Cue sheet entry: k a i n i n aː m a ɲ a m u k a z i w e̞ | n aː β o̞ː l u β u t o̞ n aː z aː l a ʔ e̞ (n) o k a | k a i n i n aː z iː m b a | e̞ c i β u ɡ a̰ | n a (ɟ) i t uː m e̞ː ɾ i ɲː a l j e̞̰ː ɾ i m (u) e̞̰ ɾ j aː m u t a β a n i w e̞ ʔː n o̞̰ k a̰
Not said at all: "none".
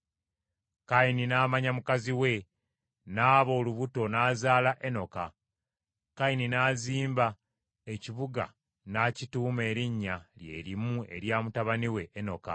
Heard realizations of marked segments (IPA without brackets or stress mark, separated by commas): n, c, u